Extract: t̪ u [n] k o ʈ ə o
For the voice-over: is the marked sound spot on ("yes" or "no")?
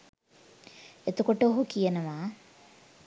no